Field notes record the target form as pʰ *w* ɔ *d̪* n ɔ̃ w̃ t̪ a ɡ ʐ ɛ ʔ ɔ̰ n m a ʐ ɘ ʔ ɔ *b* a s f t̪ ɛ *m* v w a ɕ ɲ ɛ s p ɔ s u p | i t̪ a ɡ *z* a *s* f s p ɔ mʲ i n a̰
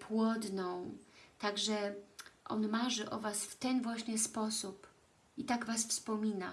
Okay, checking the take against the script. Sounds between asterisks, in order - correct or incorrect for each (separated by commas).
correct, correct, incorrect, incorrect, incorrect, correct